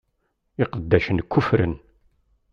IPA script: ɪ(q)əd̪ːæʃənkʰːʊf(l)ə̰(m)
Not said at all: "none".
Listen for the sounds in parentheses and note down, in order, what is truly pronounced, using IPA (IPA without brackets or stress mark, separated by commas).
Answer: q, ɾ, n